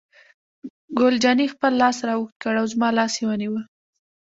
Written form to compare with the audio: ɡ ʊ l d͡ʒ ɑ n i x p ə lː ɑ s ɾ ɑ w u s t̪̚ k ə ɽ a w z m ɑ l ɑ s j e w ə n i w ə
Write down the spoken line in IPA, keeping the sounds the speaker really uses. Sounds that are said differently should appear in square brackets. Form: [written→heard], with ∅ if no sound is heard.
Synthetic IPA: ɡ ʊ l d͡ʒ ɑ n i x p ə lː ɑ s ɾ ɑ w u [s→x] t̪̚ k ə ɽ a w z m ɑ l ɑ s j e w ə n i w ə